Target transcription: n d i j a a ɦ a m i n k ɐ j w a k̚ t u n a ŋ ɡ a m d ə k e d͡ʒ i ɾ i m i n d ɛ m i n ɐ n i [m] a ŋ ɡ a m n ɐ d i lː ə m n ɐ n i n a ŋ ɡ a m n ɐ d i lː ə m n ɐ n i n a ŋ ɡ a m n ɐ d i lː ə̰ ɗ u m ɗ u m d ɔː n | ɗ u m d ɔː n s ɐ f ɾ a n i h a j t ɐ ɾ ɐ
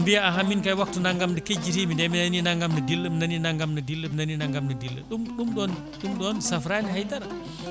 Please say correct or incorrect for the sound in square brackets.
incorrect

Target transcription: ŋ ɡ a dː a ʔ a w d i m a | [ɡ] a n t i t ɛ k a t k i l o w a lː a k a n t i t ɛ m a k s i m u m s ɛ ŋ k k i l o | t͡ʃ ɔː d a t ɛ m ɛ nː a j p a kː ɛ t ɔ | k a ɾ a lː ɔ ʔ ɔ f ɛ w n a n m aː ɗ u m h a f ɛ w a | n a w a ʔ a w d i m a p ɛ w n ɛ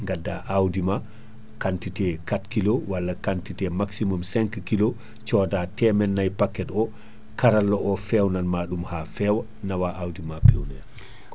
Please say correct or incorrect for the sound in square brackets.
incorrect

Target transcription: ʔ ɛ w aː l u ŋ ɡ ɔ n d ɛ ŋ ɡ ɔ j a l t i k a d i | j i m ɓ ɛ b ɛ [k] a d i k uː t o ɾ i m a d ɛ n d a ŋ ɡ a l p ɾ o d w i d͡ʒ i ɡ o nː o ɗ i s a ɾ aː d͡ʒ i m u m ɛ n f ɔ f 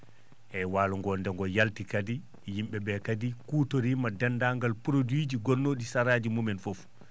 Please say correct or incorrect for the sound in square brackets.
correct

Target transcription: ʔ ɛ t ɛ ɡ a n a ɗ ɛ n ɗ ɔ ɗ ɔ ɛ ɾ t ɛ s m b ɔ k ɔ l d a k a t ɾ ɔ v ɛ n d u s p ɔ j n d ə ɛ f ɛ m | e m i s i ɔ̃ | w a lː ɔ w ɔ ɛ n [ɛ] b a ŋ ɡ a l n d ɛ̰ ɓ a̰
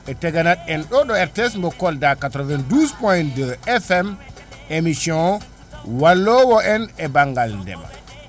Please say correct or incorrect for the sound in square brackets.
correct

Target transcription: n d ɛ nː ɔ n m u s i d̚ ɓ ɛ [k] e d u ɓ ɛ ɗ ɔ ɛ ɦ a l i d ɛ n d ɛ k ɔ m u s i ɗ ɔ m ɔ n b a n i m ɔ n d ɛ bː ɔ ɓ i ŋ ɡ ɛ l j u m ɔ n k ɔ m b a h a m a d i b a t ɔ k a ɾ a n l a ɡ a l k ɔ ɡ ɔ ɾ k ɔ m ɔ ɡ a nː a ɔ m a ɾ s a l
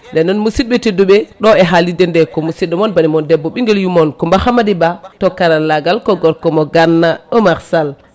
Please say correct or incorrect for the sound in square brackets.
incorrect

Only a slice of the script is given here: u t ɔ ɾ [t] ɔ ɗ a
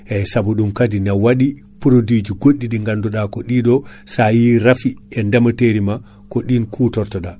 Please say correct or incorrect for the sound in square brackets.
correct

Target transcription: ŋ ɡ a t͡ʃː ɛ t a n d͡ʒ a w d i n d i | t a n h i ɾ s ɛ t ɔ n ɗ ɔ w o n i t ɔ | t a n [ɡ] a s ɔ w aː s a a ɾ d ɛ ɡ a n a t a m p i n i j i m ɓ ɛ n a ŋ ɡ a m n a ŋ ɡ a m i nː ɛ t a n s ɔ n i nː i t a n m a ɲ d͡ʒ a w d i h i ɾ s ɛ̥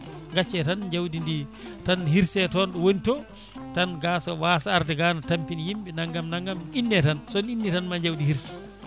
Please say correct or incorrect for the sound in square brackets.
correct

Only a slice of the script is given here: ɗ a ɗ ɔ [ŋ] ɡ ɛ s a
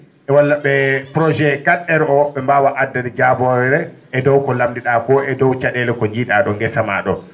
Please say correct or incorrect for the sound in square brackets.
correct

